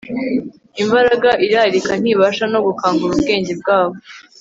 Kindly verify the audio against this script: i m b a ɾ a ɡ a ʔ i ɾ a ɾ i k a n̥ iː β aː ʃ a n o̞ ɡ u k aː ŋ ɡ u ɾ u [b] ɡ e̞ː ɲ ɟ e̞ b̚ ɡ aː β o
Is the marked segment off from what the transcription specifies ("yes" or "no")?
no